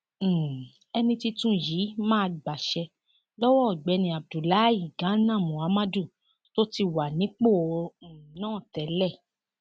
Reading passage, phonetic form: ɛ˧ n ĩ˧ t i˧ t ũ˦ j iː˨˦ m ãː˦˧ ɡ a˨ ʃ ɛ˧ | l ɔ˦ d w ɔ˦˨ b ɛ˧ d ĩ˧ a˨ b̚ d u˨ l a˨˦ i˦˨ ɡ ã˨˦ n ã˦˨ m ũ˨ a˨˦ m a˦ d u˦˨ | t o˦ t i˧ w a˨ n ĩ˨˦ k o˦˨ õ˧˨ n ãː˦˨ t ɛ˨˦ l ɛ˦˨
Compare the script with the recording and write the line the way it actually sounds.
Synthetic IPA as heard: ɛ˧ n ĩ˧ t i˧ t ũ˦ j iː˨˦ m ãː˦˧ ɡ͡b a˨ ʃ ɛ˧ | l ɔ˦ w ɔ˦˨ ɡ͡b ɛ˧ n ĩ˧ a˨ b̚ d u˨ l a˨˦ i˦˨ ɡ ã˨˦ n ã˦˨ m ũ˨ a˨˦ m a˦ d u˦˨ | t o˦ t i˧ w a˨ n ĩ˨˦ k͡p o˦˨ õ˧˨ n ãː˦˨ t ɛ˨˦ l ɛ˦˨